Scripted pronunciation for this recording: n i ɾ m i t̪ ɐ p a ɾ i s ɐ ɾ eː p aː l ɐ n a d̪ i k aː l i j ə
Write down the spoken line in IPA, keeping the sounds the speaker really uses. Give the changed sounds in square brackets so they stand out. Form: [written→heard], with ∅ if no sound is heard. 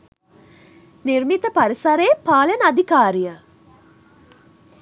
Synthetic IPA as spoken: n i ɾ m i t̪ [ɐ→ə] p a ɾ i s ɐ ɾ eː p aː l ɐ n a d̪ i k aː [l→ɾ] i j ə